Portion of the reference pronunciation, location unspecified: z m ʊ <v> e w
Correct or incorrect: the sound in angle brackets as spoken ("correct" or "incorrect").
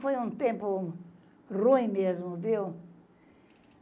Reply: correct